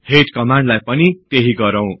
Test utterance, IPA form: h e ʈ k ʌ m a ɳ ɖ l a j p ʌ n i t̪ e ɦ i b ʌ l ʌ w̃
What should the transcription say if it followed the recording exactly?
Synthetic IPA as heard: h e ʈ k ʌ m a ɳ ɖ l a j p ʌ n i t̪ e ɦ i ɡ ʌ ɾ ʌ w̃